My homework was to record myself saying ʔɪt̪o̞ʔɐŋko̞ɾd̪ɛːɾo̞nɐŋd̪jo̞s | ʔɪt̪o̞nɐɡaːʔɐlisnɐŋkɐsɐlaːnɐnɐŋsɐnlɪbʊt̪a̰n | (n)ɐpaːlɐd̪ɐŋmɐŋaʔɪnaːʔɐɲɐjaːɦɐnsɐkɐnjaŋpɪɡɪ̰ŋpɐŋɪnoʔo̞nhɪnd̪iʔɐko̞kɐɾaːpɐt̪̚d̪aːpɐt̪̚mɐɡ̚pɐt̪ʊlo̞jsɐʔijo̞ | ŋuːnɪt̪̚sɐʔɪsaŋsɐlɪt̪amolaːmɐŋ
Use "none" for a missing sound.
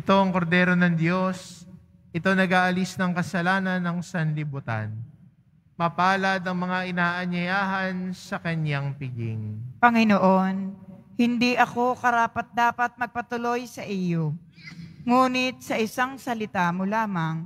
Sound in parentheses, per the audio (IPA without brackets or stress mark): m